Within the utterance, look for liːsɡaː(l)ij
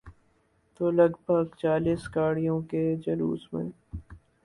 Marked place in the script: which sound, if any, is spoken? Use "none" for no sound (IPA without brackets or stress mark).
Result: ɽ